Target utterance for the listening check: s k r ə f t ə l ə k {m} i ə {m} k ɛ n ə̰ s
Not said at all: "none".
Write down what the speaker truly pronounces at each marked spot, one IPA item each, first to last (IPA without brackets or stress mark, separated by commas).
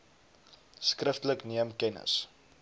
n, m